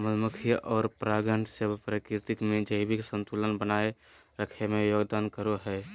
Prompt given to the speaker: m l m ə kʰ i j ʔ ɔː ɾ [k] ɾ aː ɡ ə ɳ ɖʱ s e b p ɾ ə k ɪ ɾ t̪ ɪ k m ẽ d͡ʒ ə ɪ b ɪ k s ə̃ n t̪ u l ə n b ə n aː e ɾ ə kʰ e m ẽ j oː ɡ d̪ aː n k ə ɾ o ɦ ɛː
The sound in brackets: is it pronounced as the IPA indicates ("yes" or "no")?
no